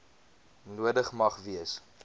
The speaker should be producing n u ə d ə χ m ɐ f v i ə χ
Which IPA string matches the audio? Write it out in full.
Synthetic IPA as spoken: n u ə d ə χ m ɐ χ v i ə s